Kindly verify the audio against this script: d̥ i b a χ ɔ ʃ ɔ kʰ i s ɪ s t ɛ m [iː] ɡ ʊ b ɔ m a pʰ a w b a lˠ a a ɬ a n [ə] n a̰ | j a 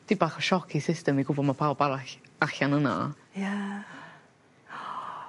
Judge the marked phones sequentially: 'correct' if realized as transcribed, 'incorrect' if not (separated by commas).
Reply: incorrect, correct